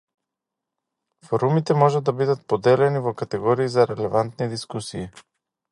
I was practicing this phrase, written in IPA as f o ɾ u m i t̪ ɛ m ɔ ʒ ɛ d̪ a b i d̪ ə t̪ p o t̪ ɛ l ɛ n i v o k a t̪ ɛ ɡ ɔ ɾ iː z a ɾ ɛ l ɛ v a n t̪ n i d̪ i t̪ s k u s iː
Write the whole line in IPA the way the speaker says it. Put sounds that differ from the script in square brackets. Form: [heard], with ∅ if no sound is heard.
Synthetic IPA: f o ɾ u m i t̪ ɛ m ɔ ʒ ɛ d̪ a b i d̪ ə t̪ p o [d̪] ɛ l ɛ n i v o k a t̪ ɛ ɡ ɔ ɾ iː z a ɾ ɛ l ɛ v a n t̪ n i d̪ i [∅] s k u s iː